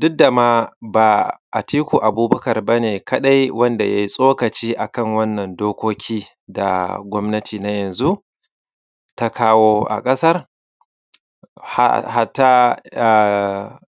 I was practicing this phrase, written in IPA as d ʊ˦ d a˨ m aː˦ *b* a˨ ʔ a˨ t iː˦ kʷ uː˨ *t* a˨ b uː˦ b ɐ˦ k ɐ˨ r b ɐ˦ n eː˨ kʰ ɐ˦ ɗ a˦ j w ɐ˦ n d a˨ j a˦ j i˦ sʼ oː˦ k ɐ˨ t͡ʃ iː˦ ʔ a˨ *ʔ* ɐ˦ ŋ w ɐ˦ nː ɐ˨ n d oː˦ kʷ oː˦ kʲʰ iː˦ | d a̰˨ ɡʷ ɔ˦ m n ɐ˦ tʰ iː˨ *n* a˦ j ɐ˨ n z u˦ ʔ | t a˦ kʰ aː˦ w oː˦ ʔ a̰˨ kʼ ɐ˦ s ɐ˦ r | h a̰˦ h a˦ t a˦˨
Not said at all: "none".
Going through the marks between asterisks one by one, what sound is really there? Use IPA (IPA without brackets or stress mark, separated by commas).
b, ʔ, k, n